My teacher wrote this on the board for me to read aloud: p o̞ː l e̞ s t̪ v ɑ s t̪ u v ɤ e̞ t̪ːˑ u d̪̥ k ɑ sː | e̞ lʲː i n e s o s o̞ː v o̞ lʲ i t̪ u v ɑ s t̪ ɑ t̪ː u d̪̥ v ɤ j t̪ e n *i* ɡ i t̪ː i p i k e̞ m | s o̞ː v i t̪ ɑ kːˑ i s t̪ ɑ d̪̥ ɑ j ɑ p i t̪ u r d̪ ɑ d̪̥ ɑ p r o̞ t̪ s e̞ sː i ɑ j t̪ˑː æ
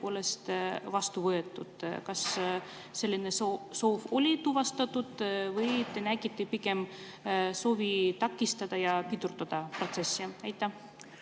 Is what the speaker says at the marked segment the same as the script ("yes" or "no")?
no